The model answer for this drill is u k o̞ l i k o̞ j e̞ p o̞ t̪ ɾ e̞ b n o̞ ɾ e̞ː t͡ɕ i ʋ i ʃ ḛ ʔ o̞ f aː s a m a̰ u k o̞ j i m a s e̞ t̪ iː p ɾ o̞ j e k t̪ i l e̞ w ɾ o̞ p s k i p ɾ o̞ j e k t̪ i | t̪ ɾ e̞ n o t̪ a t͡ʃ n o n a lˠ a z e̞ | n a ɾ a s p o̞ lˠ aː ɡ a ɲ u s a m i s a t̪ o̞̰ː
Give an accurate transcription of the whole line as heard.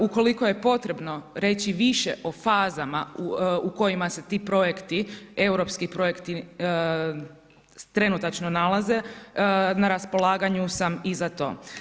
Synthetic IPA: u k o̞ l i k o̞ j e̞ p o̞ t̪ ɾ e̞ b n o̞ ɾ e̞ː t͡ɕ i ʋ i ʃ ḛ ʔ o̞ f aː z a m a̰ u k o̞ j i m a s e̞ t̪ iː p ɾ o̞ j e k t̪ i e̞ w ɾ o̞ p s k i p ɾ o̞ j e k t̪ i | t̪ ɾ e̞ n u t̪ a t͡ʃ n o n a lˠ a z e̞ | n a ɾ a s p o̞ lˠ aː ɡ a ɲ u s a m i z a t̪ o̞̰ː